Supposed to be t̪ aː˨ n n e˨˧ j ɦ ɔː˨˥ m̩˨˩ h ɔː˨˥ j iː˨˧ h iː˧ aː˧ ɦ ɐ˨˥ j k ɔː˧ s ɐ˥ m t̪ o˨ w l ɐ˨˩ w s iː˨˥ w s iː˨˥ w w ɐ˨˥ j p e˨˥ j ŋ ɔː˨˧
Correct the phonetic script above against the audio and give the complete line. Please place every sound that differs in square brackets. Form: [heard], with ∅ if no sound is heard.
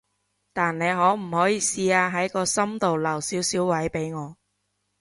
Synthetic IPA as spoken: t̪ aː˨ n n e˨˧ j ɦ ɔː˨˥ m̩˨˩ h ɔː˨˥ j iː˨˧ [s] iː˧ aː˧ ɦ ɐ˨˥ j k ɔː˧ s ɐ˥ m t̪ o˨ w l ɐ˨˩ w s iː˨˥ w s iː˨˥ w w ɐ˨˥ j p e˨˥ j ŋ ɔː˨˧